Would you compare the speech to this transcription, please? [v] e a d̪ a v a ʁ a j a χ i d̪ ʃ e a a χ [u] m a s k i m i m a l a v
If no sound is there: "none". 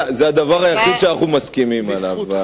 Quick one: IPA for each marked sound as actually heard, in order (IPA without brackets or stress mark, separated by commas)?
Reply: z, u